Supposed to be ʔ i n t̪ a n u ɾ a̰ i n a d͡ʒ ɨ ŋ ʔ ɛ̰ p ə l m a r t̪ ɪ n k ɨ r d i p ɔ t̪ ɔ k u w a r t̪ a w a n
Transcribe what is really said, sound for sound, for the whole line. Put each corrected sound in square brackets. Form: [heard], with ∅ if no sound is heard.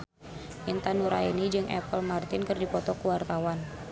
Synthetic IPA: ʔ i n t̪ a n u ɾ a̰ i n [i] d͡ʒ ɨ ŋ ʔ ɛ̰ p ə l m a r t̪ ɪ n k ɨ r d i p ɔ t̪ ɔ k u w a r t̪ a w a n